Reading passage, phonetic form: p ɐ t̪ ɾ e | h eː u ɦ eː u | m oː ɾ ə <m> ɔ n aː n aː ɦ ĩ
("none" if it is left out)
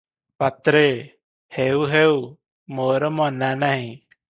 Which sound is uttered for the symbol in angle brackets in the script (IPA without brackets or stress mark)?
m